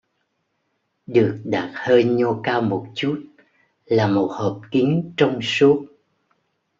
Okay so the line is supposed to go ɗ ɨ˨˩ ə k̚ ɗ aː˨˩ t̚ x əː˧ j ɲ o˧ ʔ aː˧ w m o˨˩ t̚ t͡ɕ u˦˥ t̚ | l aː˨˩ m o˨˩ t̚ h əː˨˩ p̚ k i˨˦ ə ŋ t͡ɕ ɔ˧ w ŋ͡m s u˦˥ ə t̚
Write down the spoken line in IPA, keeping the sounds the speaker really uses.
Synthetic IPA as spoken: ɗ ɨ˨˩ ə k̚ ɗ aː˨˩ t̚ h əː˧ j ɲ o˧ k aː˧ w m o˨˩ t̚ t͡ɕ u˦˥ t̚ | l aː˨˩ m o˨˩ t̚ h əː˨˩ p̚ k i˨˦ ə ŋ t͡ɕ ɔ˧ w ŋ͡m s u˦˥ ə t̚